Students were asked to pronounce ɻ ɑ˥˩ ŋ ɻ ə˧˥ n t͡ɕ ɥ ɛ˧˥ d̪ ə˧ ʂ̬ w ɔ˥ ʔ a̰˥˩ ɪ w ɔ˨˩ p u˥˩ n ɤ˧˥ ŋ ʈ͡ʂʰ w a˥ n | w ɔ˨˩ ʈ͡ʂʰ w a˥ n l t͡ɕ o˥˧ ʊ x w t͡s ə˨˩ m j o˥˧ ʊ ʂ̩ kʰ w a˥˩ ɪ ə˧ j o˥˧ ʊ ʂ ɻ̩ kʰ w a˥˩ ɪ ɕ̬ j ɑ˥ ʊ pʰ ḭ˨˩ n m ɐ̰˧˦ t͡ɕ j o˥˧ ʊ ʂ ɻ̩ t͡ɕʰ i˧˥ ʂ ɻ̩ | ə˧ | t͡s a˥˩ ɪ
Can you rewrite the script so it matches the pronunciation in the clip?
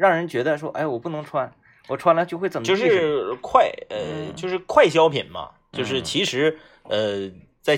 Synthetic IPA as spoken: ɻ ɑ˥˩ ŋ ɻ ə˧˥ n t͡ɕ ɥ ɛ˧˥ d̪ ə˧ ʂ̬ w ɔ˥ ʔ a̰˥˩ ɪ w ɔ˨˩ p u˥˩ n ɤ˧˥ ŋ ʈ͡ʂʰ w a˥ n | w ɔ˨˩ ʈ͡ʂʰ w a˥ n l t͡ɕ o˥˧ ʊ x w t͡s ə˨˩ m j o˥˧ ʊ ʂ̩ kʰ w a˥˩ ɪ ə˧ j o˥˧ ʊ ʂ ɻ̩ kʰ w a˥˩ ɪ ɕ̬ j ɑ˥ ʊ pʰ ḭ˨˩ n m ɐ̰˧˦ t͡ɕ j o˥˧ ʊ ʂ ɻ̩ t͡ɕʰ i˧˥ ʂ ɻ̩ | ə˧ | t͡s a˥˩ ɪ